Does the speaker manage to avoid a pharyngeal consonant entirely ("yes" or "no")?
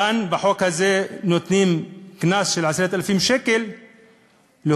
no